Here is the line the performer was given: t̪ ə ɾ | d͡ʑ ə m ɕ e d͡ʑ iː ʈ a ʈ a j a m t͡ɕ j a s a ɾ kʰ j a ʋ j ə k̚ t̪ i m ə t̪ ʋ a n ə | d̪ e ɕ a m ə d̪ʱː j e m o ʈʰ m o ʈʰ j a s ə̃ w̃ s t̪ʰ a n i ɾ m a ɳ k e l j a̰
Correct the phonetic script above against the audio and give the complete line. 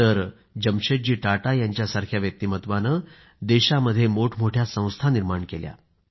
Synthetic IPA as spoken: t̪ ə ɾ | d͡ʑ ə m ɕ e d͡ʑ iː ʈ a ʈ a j a ɲ t͡ɕ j a s a ɾ kʰ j a ʋ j ə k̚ t̪ i m ə t̪ ʋ a n ə | d̪ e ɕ a m ə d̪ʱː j e m o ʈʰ m o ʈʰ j a s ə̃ w̃ s t̪ʰ a n i ɾ m a ɳ k e l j a̰